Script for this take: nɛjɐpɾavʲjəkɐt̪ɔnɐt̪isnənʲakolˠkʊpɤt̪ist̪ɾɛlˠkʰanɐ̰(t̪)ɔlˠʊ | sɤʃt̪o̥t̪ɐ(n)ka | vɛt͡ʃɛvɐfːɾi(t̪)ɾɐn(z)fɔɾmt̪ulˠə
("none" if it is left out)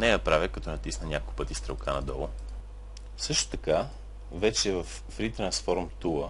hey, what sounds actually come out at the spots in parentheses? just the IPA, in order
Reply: d̪, none, t̪, s

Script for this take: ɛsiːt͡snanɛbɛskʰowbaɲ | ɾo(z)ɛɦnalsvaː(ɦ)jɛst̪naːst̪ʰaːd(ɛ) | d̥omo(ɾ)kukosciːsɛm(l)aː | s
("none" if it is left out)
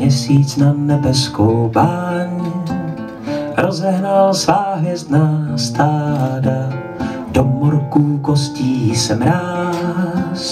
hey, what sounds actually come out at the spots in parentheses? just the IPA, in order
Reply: z, ɦ, a, ɾ, ɾ

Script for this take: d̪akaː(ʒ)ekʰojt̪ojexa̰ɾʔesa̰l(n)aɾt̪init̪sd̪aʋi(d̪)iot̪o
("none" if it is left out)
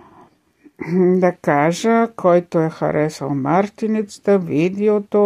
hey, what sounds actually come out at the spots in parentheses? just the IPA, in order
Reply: ʒ, m, d̪

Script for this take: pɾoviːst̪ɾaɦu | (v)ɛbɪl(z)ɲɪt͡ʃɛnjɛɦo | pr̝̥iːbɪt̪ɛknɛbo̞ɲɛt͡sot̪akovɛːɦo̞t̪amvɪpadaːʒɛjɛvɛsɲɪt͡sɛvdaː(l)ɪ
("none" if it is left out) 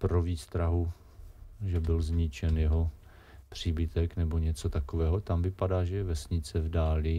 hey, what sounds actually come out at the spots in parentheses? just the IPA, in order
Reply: ʒ, z, l

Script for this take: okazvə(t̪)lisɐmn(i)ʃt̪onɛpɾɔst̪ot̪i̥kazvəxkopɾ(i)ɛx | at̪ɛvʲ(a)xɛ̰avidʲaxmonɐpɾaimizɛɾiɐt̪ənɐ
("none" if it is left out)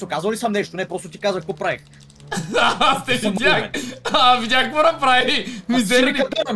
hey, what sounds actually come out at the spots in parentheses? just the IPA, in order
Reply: none, ɛ, a, a

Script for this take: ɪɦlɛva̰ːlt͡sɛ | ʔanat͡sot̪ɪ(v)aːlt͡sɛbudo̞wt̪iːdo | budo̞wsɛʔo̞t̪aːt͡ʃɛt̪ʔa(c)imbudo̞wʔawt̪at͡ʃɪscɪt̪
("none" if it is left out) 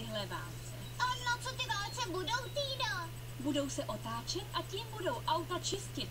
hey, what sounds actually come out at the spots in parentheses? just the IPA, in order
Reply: v, c

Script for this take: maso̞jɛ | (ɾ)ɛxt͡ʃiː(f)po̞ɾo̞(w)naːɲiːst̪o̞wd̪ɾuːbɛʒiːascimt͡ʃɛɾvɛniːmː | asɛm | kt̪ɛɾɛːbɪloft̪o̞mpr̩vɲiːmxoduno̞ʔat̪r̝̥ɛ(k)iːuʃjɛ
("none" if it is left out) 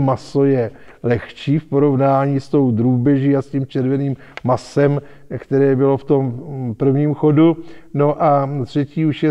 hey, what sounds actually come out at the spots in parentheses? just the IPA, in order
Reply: l, f, v, c

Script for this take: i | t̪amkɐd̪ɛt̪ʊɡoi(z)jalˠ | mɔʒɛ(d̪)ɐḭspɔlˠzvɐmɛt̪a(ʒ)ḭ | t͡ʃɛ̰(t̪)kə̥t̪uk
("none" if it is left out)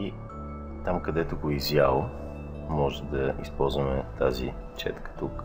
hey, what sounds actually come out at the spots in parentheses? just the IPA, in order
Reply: z, d̪, z, t̪

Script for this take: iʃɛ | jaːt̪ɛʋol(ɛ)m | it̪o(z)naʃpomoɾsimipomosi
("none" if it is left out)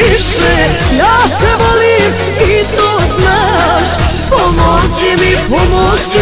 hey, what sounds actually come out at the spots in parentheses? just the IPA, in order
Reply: i, z

